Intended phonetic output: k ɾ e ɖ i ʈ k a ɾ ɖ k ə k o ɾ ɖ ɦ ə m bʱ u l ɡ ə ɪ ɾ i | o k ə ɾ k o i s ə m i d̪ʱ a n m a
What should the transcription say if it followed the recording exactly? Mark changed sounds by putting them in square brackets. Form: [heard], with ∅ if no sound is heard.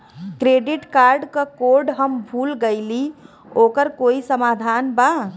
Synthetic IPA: k ɾ e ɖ i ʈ k a ɾ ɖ k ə k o ɾ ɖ ɦ ə m bʱ u l ɡ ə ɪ [l] i | o k ə ɾ k o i s ə m [a] d̪ʱ a n [b] a